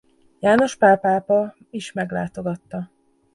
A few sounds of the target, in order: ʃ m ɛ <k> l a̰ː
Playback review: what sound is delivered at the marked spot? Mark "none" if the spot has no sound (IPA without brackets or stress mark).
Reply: ɡ